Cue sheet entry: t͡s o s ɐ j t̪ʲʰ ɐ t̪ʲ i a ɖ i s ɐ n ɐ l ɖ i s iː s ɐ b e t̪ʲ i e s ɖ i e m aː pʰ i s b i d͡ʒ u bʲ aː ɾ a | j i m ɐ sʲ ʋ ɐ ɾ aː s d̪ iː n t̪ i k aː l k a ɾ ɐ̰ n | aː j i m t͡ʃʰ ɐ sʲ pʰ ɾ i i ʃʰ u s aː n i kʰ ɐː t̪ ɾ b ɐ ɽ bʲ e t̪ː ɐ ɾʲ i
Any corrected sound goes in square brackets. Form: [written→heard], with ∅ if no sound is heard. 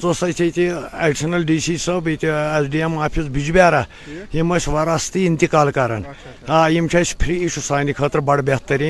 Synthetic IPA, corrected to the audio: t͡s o s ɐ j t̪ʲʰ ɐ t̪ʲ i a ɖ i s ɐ n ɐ l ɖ i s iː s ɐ b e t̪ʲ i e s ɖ i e m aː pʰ i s b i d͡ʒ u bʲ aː ɾ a | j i m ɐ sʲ ʋ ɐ ɾ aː s [d̪→t̪] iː n t̪ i k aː l k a ɾ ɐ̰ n | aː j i m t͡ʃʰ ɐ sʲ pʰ ɾ i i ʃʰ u s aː n i kʰ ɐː t̪ ɾ b ɐ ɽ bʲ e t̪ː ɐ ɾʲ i